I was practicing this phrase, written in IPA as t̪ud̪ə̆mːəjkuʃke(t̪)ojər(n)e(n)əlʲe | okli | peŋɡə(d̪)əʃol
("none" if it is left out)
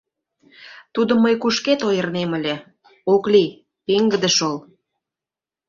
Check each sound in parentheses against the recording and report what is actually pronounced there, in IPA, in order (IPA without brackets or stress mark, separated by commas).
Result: t̪, n, m, d̪